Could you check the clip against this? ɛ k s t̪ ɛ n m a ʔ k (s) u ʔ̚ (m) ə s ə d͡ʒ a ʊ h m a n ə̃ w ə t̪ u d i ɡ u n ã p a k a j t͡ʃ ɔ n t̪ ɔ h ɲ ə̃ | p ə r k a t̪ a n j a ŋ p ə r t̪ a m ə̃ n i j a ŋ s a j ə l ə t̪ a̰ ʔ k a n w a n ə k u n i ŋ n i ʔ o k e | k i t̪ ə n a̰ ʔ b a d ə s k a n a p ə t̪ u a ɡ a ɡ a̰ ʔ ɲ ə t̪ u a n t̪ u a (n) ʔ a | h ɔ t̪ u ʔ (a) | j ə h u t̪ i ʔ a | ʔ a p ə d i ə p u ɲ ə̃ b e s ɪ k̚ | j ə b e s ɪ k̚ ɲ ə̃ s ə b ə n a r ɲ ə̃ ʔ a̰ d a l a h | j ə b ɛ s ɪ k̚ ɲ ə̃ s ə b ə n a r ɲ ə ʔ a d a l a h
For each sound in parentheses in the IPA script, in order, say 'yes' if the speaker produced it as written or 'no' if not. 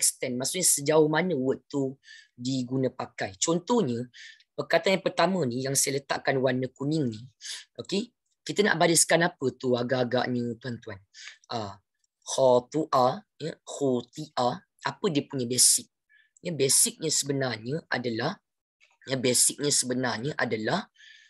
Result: yes, no, yes, yes

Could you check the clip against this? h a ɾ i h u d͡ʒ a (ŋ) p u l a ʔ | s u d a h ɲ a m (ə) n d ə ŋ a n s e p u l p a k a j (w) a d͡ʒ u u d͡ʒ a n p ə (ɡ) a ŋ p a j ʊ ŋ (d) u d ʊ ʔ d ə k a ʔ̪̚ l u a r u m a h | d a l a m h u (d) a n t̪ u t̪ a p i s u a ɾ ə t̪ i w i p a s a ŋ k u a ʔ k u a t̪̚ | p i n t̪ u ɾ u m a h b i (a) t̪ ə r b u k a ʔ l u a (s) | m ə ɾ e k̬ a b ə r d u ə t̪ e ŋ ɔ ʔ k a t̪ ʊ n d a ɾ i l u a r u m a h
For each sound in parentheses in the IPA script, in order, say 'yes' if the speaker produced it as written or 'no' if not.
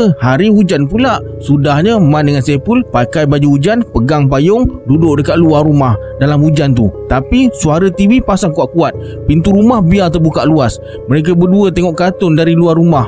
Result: no, no, no, yes, yes, no, yes, yes

